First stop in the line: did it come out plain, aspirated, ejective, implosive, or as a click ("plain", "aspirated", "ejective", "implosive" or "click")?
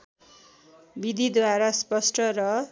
plain